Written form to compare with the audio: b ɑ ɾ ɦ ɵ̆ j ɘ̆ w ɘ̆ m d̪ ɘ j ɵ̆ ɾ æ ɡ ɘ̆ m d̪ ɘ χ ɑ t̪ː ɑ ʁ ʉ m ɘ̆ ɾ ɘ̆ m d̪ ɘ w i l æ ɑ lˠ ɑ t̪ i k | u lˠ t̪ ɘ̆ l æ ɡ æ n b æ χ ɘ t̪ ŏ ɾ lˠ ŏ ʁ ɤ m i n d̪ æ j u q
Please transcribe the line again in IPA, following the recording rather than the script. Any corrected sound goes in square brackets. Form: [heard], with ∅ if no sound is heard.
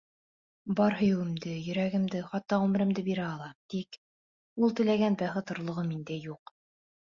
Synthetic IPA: b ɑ ɾ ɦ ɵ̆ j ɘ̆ w ɘ̆ m d̪ ɘ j ɵ̆ ɾ æ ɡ ɘ̆ m d̪ ɘ χ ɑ t̪ː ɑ ʁ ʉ m ɘ̆ ɾ ɘ̆ m d̪ ɘ [b] i [ɾ] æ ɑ lˠ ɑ t̪ i k | u lˠ t̪ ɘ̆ l æ ɡ æ n b æ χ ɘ t̪ ŏ ɾ lˠ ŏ ʁ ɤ m i n d̪ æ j u q